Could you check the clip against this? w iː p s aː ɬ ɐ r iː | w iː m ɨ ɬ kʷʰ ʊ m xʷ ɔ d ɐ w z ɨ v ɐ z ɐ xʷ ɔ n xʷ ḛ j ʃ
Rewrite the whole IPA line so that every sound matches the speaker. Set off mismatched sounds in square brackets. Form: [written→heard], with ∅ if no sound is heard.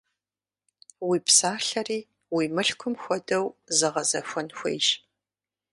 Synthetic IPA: w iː p s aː ɬ ɐ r iː | w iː m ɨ ɬ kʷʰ ʊ m xʷ ɔ d ɐ w z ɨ [v→ʁ] ɐ z ɐ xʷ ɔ n xʷ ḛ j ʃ